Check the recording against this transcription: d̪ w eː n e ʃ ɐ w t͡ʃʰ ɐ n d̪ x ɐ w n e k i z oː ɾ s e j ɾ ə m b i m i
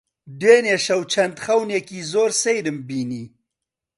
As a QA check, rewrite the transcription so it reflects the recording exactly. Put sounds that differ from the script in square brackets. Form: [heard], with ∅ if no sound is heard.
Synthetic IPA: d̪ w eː n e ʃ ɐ w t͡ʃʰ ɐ n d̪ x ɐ w n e k i z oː ɾ s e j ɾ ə m b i [n] i